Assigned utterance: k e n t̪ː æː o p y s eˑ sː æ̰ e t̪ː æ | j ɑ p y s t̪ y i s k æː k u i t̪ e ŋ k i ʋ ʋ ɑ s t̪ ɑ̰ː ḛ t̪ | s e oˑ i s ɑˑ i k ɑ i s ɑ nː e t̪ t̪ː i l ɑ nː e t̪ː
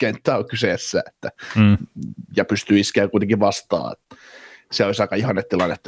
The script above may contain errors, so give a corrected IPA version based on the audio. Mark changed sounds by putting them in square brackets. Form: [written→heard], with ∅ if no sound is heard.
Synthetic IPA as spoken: k e n t̪ː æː o [p→k] y s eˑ sː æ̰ e t̪ː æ | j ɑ p y s t̪ y i s k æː k u i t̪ e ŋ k i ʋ ʋ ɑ s t̪ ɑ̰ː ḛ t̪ | s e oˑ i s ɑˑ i k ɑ i [s→h] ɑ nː e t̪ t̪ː i l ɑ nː e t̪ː